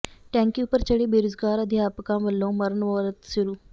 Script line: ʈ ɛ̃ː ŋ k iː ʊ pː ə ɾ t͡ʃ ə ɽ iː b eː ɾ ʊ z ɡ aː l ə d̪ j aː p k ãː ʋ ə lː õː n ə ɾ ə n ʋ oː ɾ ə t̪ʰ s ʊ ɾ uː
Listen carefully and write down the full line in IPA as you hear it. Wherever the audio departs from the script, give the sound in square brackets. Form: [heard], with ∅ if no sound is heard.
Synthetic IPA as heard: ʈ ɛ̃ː ŋ k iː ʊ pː ə ɾ t͡ʃ ə ɽ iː b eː ɾ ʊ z ɡ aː [ɾ] ə d̪ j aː p k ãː ʋ ə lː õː [m] ə ɾ ə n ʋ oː ɾ ə [t̪] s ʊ ɾ uː